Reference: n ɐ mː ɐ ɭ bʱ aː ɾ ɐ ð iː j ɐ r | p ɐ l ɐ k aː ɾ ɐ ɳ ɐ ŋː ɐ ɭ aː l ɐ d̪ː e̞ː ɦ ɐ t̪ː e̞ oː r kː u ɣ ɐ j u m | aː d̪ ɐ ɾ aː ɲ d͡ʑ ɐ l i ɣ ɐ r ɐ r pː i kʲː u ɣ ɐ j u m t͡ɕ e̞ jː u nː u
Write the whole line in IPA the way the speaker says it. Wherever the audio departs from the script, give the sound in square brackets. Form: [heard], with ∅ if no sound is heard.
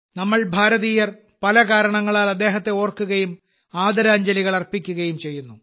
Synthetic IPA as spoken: n ɐ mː ɐ ɭ bʱ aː ɾ ɐ ð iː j ɐ r | p ɐ l ɐ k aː ɾ ɐ ɳ ɐ ŋː ɐ ɭ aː l ɐ d̪ː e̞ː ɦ ɐ t̪ː e̞ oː r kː u ɣ ɐ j u m | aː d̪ ɐ ɾ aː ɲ d͡ʑ ɐ l i ɣ ɐ [ɭ] ɐ r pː i kʲː u ɣ ɐ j u m t͡ɕ e̞ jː u nː u